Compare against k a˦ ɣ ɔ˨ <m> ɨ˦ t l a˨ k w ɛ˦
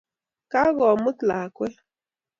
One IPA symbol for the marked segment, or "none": m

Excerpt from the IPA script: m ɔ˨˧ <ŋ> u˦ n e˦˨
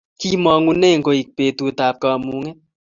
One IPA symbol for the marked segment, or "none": ŋ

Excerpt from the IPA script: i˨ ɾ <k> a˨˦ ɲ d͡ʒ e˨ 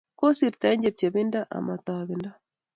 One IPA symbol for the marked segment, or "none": t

